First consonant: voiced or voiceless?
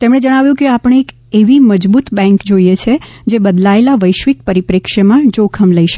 voiceless